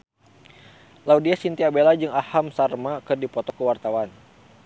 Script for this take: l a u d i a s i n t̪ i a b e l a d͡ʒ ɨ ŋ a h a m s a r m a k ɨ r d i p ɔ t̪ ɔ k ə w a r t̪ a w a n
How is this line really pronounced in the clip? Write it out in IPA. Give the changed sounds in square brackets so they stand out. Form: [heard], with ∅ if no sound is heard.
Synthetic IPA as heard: l a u d i a s i n t̪ i a b e l a d͡ʒ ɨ ŋ a h a m s a r m a k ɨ r d i p ɔ t̪ ɔ k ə w a r t̪ a w a n